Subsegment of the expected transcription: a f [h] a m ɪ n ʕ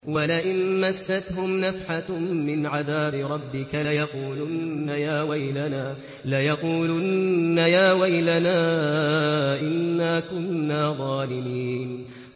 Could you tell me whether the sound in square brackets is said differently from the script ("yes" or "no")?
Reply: yes